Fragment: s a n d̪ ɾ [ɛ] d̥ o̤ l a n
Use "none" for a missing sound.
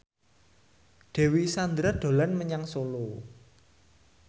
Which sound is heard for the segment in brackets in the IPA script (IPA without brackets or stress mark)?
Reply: a